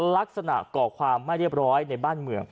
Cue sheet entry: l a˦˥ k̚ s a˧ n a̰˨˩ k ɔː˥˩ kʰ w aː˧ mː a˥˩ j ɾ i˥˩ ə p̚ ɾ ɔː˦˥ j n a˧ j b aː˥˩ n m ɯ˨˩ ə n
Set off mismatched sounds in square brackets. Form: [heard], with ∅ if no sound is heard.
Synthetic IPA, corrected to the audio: l a˦˥ k̚ s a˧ n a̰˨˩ k [ɔː˨˩] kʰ w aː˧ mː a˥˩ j ɾ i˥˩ ə p̚ ɾ ɔː˦˥ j n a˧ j b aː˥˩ n m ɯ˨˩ ə [ŋ]